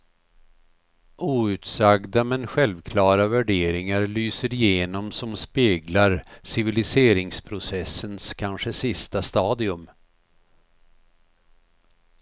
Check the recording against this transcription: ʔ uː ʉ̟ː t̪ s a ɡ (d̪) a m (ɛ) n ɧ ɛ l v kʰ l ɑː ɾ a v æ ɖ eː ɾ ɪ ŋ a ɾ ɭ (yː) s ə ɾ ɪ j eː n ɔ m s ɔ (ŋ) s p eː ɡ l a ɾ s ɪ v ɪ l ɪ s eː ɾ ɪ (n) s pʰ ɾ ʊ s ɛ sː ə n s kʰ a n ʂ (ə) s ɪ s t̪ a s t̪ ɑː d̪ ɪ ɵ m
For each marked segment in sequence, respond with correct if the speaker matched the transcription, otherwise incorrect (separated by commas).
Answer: correct, correct, correct, incorrect, incorrect, correct